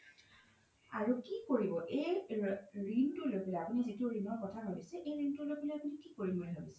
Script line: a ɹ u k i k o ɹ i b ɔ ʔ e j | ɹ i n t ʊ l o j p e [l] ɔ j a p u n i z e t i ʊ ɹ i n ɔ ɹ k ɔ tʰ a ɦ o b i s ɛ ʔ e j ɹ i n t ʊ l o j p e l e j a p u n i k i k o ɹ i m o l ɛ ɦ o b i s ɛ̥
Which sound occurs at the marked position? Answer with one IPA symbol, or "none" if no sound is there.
l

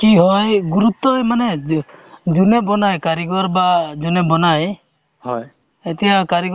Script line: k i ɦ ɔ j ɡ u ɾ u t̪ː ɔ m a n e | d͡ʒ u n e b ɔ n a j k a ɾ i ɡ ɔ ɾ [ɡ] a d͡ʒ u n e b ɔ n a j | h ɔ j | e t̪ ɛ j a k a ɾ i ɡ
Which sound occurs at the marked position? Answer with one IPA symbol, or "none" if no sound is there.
b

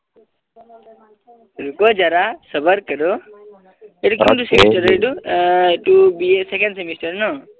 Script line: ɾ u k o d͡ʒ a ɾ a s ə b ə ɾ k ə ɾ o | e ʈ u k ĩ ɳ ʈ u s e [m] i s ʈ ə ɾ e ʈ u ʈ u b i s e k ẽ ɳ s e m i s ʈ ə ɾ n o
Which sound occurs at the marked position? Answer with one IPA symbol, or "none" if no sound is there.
m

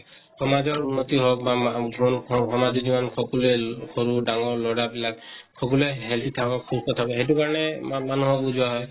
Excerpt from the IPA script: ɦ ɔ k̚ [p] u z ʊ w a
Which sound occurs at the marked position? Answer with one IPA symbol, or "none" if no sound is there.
b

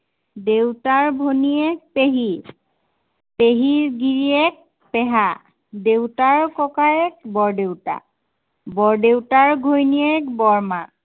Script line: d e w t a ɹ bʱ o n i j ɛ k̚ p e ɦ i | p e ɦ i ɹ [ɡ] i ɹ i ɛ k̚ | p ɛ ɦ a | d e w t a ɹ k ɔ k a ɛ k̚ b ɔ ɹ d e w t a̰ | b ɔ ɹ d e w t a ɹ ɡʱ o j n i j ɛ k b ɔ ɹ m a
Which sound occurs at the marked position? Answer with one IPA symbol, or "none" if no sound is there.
ɡ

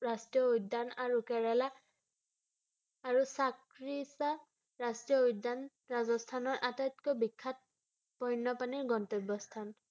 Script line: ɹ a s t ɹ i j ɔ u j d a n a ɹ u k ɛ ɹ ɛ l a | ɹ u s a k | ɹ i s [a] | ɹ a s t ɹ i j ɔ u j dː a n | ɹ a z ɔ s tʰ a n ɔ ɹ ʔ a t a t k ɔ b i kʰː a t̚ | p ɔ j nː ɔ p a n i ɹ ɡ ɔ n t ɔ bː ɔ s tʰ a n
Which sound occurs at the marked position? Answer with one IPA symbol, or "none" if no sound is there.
a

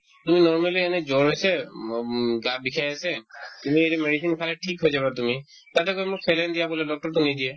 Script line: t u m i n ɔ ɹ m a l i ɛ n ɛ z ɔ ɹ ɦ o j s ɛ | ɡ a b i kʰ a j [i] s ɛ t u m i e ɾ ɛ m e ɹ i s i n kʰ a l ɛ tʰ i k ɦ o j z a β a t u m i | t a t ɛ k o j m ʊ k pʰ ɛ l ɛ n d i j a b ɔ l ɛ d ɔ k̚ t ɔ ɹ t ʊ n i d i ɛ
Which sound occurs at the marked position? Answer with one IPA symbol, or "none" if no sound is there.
a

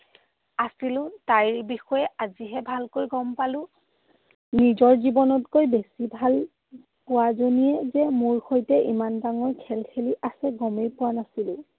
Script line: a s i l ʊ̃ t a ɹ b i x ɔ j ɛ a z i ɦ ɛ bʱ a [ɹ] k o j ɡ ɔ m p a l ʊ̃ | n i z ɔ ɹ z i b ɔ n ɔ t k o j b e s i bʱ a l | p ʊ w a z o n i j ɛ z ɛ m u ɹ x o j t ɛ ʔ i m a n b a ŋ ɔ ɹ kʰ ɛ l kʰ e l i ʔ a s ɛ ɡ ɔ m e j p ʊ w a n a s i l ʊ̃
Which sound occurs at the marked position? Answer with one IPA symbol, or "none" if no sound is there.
l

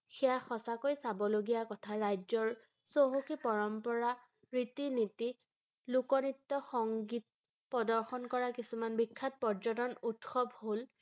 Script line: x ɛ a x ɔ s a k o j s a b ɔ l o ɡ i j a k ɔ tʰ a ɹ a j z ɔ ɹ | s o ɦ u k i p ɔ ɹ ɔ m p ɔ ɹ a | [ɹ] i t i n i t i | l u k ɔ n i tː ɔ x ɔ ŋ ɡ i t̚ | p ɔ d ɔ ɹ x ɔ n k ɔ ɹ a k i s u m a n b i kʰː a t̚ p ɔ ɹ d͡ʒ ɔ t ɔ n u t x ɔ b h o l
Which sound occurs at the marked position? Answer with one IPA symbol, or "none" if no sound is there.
ɹ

